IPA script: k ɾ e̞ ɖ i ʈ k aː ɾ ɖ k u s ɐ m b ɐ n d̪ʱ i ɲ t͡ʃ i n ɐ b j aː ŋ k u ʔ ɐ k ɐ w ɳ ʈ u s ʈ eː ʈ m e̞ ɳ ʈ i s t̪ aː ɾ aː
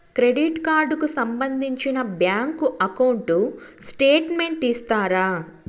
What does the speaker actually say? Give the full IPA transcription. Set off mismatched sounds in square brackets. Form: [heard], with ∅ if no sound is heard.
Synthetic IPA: k ɾ e̞ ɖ i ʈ k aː ɾ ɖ k u s ɐ m b ɐ n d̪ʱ i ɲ t͡ʃ i n ɐ b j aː ŋ k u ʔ ɐ k ɐ w ɳ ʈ u s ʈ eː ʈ m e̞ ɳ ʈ i s t̪ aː ɾ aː